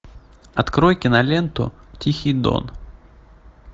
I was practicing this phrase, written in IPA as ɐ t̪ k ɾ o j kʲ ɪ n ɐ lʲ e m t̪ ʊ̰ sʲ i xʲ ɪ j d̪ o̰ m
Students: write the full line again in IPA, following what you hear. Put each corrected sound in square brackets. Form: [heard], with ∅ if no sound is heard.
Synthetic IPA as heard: ɐ t̪ k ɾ o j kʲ ɪ n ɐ lʲ e [n] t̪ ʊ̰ [tʲ] i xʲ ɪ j d̪ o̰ [n]